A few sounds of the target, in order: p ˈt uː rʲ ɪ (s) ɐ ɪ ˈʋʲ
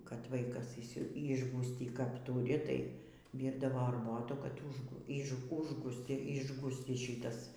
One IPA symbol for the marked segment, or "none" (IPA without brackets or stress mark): t